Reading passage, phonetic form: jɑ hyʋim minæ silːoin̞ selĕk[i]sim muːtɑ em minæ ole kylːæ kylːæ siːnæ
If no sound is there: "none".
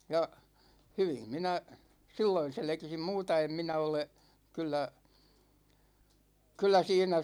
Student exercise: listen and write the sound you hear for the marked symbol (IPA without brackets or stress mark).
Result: i